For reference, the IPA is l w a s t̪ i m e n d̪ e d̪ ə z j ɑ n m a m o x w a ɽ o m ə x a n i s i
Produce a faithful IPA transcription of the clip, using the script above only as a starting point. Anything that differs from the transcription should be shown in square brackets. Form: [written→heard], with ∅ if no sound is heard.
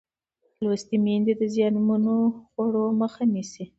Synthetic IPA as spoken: l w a s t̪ i m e n d̪ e d̪ ə z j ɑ n m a [m→n] o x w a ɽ o m ə x a n i s i